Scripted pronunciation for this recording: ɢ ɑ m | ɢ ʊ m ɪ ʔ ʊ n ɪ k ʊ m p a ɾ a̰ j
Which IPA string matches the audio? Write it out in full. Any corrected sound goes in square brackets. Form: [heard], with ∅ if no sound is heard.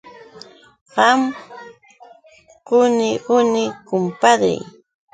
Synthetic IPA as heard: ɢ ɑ m | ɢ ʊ [n] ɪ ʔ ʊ n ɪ k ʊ m p a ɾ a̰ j